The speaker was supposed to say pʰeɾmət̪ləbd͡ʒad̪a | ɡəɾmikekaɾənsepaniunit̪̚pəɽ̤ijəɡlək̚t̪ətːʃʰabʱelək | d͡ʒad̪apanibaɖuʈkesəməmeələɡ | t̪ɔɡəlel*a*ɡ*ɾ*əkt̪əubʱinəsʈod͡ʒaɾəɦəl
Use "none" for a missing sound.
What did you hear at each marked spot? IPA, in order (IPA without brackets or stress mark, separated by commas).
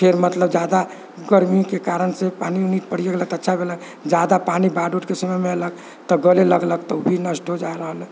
ə, l